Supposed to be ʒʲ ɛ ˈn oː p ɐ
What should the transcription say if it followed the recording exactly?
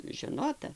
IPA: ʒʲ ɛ ˈn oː t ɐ